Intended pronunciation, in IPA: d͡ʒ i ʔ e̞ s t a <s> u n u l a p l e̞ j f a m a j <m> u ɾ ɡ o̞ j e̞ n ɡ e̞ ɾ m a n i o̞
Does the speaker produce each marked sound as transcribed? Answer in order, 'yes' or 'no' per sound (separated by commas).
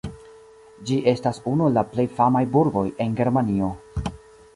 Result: yes, no